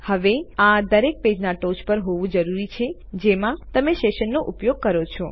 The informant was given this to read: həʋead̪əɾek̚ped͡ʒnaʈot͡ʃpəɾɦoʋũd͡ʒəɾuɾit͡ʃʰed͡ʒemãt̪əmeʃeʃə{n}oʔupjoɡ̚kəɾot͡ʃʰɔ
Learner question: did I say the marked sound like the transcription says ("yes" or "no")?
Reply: no